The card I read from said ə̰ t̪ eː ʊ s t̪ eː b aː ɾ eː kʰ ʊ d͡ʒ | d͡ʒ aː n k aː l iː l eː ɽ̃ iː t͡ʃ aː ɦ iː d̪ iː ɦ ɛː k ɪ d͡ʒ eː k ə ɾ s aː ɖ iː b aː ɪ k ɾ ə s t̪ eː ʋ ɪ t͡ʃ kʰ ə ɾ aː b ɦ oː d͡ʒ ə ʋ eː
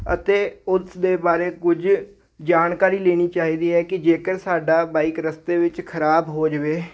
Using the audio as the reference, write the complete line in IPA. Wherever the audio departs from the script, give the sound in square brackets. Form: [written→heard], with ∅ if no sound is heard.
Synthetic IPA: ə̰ t̪ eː ʊ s [t̪→d̪] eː b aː ɾ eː [kʰ→k] ʊ d͡ʒ | d͡ʒ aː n k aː [l→ɾ] iː l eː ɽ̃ iː t͡ʃ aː ɦ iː d̪ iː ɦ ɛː k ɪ d͡ʒ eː k ə ɾ s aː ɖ [iː→aː] b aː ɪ k ɾ ə s t̪ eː ʋ ɪ t͡ʃ kʰ ə ɾ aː b ɦ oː d͡ʒ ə ʋ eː